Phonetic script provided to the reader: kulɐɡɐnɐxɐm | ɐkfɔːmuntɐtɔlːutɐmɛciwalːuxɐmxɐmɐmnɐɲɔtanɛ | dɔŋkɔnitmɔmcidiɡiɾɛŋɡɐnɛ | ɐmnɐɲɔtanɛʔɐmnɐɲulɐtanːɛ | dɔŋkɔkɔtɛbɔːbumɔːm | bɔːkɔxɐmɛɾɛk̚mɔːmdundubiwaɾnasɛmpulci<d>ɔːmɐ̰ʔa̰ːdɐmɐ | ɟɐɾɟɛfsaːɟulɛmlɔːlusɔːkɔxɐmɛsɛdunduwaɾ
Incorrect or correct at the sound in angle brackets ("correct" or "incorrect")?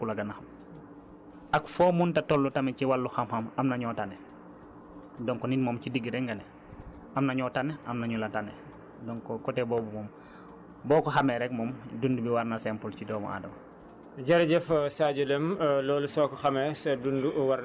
correct